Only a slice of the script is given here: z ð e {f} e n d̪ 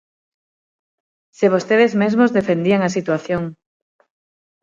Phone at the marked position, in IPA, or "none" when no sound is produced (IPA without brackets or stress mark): f